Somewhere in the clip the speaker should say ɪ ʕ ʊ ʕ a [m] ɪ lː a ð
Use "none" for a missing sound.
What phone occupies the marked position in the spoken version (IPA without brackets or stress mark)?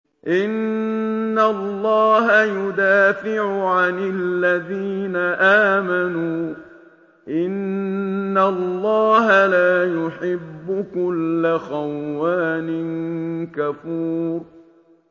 n